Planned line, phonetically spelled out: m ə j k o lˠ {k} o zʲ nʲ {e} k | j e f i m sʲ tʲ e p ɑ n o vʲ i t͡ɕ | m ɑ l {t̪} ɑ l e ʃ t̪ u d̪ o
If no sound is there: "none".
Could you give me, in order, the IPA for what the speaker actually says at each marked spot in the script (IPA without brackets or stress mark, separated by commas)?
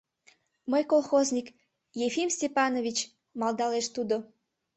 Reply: x, i, d̪